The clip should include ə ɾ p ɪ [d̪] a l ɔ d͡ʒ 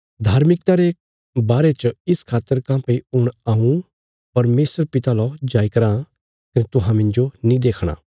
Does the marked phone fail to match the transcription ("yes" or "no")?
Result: yes